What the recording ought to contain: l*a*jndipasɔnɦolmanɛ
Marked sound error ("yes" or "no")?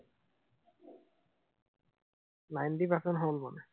no